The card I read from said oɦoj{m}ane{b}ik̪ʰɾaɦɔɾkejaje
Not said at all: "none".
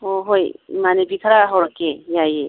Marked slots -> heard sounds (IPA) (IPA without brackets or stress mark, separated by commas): m, b